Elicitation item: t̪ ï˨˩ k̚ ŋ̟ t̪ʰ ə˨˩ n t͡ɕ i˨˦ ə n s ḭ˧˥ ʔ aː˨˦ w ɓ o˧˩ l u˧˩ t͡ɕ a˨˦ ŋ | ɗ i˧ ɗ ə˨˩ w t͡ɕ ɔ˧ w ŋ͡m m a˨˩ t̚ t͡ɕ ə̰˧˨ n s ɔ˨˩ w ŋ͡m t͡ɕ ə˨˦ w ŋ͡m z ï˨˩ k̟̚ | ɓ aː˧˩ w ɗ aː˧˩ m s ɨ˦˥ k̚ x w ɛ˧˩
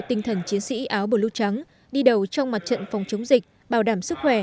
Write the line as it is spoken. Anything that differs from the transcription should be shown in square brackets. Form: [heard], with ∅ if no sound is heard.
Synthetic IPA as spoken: t̪ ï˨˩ [∅] ŋ̟ t̪ʰ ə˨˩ n t͡ɕ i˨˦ ə n s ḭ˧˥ ʔ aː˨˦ w ɓ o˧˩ l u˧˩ t͡ɕ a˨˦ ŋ | ɗ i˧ ɗ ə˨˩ w t͡ɕ ɔ˧ w ŋ͡m m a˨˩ t̚ t͡ɕ ə̰˧˨ n [f] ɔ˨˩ w ŋ͡m t͡ɕ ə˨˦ w ŋ͡m z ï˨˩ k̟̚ | ɓ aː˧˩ w ɗ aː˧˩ m s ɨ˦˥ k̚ x w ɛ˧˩

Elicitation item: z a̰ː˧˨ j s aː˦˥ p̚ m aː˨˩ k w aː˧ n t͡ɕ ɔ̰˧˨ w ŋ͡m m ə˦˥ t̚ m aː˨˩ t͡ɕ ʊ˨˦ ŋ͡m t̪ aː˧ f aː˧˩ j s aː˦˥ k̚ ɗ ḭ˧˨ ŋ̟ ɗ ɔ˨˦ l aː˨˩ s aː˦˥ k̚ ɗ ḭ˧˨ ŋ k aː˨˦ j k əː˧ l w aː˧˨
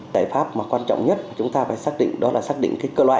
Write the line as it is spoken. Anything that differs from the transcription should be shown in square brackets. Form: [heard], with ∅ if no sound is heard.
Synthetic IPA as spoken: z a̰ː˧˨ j [f] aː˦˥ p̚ m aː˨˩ k w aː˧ n t͡ɕ ɔ̰˧˨ w ŋ͡m [ɲ] ə˦˥ t̚ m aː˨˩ t͡ɕ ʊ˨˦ ŋ͡m t̪ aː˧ f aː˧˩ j s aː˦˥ k̚ ɗ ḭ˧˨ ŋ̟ ɗ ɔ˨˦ l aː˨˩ s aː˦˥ k̚ ɗ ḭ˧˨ ŋ k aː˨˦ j k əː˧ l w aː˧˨

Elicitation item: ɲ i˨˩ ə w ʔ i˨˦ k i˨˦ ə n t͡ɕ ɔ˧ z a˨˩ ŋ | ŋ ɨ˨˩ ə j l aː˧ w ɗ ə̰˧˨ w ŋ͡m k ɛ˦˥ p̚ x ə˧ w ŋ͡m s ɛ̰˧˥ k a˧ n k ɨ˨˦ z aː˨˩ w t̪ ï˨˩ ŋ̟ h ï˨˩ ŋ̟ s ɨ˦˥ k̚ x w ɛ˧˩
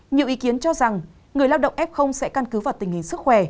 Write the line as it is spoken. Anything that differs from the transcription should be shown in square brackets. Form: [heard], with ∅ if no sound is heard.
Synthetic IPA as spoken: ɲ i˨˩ ə w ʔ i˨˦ k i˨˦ ə n t͡ɕ ɔ˧ z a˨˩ ŋ | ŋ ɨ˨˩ ə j l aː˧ w ɗ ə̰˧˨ w ŋ͡m [ʔ] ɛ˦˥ p̚ x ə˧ w ŋ͡m s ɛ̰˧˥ k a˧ n k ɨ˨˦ [v] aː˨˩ w t̪ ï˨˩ ŋ̟ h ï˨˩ ŋ̟ s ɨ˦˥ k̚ x w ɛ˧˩

